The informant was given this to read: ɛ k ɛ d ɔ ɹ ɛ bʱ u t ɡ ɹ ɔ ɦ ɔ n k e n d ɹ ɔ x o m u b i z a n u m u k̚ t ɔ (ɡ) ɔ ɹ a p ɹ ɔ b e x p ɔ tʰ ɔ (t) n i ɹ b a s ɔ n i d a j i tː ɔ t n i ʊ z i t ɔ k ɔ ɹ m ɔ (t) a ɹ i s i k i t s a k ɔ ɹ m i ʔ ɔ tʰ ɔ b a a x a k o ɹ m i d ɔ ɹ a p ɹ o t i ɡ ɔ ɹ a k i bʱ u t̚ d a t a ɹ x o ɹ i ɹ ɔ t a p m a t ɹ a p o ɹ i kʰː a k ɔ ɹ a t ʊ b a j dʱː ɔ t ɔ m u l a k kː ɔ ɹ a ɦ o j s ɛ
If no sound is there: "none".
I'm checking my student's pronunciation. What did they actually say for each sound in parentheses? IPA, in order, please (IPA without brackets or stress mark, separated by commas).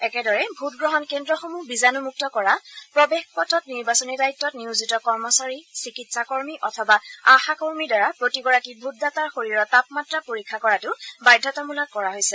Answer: k, t, s